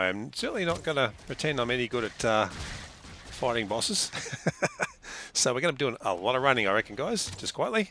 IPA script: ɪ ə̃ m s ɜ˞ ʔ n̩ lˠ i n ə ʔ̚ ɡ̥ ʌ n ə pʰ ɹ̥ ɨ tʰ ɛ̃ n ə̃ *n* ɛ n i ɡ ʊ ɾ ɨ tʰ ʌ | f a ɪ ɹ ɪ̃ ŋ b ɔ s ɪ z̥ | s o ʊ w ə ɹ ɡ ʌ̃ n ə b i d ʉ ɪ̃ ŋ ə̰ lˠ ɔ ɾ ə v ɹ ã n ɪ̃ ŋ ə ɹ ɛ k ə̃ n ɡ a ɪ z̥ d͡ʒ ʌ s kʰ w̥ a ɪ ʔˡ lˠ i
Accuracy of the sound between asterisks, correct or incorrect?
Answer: incorrect: m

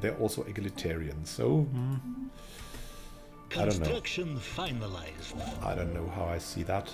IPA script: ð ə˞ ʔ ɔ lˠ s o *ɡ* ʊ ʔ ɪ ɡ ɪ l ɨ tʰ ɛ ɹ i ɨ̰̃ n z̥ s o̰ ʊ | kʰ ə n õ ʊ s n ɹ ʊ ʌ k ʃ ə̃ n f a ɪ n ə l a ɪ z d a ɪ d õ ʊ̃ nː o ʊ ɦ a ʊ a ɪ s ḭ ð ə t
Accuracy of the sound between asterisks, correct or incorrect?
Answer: incorrect: none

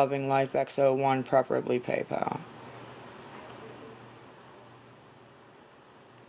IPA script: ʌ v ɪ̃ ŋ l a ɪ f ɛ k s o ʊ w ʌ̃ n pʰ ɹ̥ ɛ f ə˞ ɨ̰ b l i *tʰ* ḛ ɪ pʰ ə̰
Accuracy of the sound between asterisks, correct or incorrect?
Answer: incorrect: pʰ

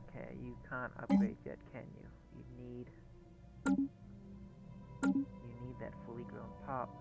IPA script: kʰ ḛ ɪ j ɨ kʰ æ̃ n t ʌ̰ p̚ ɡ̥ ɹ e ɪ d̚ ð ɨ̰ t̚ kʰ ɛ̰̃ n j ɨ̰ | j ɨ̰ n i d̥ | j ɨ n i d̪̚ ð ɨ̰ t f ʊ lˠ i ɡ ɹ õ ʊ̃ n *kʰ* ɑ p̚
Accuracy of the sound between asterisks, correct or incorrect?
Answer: incorrect: pʰ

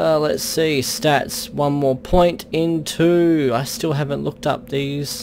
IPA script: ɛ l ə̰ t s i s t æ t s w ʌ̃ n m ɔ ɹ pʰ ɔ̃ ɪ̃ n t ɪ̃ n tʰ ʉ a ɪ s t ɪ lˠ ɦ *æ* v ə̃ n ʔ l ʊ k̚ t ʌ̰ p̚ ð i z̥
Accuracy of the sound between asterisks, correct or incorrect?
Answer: correct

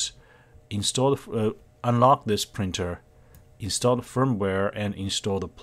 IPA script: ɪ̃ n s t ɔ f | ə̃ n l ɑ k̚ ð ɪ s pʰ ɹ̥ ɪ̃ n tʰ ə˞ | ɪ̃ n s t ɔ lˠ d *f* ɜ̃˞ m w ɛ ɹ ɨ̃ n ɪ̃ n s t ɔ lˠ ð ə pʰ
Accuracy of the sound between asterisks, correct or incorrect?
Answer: correct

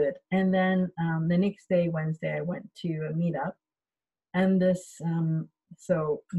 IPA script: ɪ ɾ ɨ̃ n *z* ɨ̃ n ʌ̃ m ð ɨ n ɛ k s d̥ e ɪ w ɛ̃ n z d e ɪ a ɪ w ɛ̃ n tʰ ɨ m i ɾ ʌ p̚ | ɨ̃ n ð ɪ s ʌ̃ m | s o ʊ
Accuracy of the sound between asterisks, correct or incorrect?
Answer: incorrect: ð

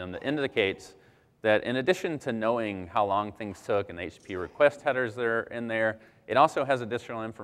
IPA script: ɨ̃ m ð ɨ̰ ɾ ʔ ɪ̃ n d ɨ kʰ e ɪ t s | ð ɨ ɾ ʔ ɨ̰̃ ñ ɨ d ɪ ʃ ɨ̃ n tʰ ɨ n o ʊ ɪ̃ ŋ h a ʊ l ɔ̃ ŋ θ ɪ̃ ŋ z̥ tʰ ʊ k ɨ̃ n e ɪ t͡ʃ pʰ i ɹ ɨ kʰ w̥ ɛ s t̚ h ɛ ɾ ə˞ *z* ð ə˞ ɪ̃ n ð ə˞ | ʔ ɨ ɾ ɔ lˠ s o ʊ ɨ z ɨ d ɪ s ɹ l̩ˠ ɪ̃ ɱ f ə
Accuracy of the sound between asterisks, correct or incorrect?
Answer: correct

